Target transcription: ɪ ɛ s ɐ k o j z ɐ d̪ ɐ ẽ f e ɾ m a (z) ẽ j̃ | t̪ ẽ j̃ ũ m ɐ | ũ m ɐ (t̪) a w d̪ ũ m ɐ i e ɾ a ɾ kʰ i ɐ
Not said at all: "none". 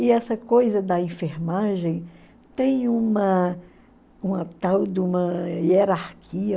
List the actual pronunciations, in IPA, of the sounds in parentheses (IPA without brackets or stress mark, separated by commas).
ʒ, t̪